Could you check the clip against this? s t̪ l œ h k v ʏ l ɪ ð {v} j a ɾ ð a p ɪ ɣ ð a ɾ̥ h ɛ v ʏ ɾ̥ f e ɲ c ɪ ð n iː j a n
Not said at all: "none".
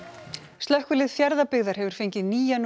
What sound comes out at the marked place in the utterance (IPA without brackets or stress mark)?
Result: f